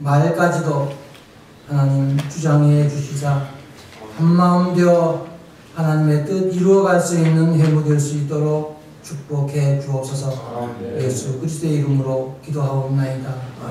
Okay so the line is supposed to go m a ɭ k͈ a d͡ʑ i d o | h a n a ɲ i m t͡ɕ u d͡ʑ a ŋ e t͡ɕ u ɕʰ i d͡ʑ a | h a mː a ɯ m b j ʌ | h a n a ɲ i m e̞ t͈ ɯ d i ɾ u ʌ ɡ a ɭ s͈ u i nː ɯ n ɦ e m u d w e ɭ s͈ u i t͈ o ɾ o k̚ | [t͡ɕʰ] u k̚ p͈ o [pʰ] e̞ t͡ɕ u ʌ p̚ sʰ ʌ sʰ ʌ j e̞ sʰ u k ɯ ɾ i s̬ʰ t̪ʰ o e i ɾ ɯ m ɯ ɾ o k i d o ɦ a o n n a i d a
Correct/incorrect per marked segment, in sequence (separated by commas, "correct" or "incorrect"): correct, incorrect